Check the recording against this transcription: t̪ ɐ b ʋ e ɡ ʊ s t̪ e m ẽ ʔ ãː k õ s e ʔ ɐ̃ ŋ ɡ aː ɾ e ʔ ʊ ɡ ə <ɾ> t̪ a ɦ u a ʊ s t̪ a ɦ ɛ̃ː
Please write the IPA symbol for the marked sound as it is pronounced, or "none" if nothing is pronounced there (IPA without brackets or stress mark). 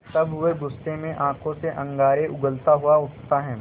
l